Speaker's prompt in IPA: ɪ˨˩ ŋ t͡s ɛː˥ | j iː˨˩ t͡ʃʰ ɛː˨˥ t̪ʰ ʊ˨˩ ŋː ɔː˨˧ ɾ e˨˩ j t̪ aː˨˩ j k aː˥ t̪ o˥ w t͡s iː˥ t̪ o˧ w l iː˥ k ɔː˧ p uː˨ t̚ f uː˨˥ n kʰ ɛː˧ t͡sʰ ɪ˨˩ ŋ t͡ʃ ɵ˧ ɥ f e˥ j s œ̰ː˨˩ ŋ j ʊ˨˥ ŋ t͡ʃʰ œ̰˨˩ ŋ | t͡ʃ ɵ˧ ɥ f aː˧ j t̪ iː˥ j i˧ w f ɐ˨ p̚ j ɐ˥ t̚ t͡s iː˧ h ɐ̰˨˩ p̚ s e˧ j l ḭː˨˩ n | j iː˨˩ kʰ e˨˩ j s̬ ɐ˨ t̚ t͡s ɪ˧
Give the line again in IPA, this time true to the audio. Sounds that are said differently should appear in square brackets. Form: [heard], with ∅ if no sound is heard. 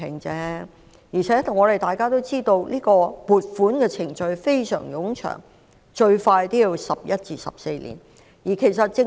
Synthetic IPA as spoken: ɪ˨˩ ŋ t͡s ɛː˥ | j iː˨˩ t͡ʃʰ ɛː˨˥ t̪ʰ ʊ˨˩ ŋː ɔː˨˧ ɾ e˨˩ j t̪ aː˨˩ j k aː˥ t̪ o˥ w t͡s iː˥ t̪ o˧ w l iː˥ k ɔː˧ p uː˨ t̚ f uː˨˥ n [k] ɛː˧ t͡sʰ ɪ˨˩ ŋ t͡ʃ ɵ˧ ɥ f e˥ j s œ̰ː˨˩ ŋ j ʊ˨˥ ŋ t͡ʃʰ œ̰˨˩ ŋ | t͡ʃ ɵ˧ ɥ f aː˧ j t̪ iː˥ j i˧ w [s] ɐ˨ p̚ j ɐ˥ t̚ t͡s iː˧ [s] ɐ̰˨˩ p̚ s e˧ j l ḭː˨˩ n | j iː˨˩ kʰ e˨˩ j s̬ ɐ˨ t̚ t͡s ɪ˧